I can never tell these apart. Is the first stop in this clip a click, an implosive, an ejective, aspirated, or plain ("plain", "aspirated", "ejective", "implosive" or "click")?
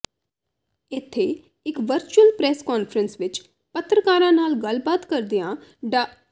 aspirated